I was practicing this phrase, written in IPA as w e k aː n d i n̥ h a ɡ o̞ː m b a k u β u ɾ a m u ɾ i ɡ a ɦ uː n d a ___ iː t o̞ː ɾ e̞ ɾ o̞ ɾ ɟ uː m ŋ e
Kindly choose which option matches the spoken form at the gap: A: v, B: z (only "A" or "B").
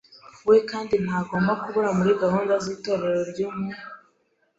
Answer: B